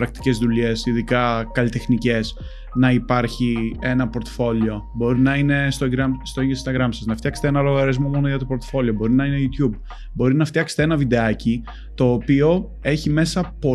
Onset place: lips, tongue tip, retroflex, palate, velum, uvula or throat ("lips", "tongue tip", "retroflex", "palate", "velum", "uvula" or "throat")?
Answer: tongue tip